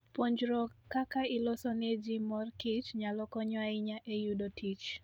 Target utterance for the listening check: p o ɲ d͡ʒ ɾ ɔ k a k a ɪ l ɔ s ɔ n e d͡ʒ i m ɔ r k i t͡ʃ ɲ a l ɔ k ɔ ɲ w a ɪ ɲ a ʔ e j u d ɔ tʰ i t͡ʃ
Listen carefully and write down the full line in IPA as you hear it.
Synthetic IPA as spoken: p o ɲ d͡ʒ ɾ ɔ k a k a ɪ l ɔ s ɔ n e d͡ʒ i m ɔ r k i t͡ʃ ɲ a l ɔ k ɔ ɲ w a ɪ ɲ a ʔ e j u d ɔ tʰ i t͡ʃ